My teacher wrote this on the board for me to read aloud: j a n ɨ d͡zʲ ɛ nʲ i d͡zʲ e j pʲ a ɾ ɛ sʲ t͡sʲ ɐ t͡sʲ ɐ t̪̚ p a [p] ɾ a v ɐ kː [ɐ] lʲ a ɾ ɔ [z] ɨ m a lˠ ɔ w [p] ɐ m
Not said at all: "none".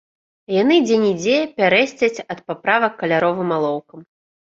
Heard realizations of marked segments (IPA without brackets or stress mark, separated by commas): p, ɐ, v, k